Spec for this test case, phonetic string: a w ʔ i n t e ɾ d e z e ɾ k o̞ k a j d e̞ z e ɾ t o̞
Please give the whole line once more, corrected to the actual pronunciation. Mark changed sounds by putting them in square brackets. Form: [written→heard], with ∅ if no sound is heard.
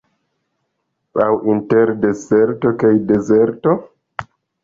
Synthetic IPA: a w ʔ i n t e ɾ d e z e ɾ [k→t] o̞ k a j d e̞ z e ɾ t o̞